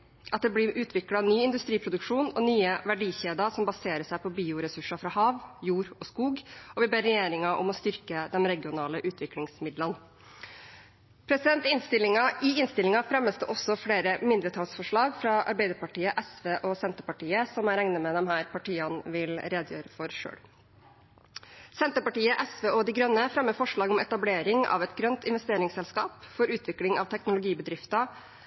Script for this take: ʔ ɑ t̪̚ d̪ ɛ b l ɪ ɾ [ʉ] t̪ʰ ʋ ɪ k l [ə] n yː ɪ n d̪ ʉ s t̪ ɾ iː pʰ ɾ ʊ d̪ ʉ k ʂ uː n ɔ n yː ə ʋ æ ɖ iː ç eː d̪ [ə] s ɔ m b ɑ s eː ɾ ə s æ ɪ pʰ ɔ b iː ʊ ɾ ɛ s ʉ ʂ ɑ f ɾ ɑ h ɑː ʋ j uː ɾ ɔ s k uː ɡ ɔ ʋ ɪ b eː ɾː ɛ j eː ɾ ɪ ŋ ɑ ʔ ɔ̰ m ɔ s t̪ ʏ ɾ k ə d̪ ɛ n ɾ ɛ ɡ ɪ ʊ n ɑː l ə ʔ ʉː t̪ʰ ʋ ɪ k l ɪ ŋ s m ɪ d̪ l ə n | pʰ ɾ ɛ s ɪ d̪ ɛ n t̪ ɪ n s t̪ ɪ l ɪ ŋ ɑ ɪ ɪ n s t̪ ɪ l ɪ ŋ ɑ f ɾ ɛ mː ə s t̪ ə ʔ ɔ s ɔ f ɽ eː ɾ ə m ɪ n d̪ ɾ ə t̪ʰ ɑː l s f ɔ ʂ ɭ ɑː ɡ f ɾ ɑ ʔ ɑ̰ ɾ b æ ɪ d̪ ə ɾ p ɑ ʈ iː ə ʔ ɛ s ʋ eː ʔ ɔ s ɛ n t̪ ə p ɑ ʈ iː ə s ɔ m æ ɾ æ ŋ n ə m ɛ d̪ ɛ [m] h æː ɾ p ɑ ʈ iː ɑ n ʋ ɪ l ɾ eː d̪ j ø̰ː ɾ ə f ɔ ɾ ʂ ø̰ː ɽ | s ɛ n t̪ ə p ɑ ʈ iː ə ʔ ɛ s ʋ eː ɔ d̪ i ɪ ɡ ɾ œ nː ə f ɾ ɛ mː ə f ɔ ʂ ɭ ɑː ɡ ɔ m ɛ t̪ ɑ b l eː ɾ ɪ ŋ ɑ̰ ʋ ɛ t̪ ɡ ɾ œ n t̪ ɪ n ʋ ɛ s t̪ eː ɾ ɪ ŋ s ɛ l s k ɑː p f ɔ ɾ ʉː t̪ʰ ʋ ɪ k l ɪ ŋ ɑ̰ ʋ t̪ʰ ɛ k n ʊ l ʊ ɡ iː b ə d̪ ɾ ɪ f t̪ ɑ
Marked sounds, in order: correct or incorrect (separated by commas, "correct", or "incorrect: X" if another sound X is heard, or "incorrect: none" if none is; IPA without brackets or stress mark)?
incorrect: ʉː, incorrect: ɑ, incorrect: ɑ, correct